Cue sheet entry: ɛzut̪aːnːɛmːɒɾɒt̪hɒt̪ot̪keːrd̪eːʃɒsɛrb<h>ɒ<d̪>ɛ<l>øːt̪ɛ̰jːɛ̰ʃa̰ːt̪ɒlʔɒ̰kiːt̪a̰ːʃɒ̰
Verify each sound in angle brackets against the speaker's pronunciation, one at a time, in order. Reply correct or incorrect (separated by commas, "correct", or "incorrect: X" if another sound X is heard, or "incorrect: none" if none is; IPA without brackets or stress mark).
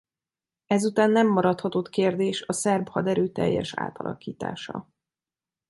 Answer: correct, correct, incorrect: ɾ